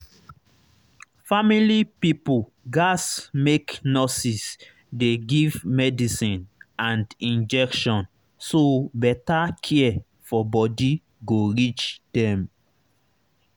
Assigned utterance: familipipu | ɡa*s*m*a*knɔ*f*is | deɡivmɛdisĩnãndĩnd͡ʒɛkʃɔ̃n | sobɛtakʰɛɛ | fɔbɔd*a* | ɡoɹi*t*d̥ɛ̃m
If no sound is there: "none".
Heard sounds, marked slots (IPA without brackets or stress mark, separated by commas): s, e, s, i, t͡ʃ